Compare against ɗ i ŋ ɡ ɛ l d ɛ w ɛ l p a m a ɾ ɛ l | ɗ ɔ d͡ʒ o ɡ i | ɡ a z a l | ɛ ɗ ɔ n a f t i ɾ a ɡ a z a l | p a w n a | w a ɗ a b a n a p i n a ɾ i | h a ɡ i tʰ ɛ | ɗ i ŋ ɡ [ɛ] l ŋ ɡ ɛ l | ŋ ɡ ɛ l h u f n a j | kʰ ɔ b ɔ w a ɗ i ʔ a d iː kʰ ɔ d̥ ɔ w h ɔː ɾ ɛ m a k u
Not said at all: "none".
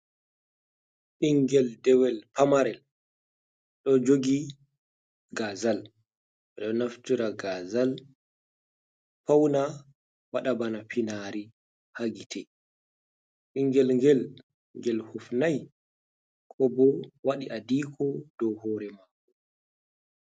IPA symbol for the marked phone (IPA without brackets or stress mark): ɛ